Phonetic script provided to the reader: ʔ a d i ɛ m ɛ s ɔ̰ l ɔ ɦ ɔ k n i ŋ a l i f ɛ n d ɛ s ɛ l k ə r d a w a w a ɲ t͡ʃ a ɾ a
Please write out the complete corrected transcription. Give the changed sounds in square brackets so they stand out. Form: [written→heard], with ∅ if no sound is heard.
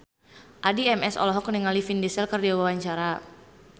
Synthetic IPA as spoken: ʔ a d i ɛ m ɛ s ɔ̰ l ɔ ɦ ɔ k n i ŋ a l i f [ɛ→i] n d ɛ s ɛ l k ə r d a w a w a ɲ t͡ʃ a ɾ a